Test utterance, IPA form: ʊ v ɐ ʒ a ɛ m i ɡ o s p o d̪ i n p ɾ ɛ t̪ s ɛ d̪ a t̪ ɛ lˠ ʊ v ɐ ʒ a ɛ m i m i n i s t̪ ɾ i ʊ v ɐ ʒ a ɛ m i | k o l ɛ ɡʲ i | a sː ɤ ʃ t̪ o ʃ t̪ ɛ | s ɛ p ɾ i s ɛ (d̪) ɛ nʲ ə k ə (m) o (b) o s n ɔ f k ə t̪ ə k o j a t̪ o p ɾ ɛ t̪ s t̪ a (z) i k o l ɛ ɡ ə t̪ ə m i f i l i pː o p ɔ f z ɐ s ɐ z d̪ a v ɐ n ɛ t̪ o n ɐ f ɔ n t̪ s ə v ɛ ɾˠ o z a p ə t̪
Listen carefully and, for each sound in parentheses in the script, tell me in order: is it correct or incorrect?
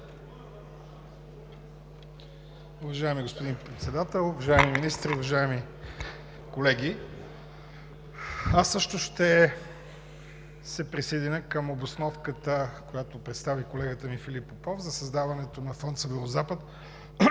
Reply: correct, correct, correct, incorrect

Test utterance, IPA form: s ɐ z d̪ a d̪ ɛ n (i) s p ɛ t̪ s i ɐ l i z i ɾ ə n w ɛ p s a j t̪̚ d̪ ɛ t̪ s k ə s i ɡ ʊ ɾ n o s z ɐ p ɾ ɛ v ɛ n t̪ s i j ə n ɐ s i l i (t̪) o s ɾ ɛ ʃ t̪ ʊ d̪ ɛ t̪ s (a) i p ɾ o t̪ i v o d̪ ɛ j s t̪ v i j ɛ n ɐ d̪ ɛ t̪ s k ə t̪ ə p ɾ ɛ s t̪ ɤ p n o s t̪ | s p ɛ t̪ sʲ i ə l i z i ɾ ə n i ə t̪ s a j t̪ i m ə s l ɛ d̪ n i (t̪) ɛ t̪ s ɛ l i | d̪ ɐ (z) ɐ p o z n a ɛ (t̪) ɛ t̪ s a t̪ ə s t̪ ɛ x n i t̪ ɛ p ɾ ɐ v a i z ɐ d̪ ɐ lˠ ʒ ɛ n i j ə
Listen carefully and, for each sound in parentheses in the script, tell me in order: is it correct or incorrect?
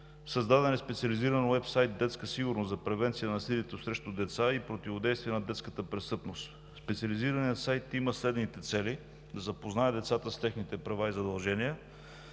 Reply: incorrect, correct, correct, correct, correct, incorrect

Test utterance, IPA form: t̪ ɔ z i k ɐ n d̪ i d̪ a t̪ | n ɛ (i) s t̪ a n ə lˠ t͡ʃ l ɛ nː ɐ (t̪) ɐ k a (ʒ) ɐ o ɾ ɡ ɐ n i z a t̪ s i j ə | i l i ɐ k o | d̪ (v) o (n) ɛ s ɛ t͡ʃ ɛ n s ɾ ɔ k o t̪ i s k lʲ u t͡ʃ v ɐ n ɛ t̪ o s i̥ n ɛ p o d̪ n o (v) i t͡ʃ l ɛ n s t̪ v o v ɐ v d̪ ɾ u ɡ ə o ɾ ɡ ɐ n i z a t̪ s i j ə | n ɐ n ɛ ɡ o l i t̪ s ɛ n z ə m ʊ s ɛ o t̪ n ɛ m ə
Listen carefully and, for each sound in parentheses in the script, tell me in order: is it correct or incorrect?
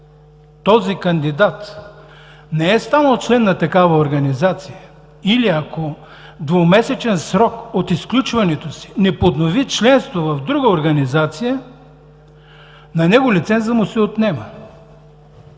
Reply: incorrect, correct, incorrect, correct, incorrect, correct

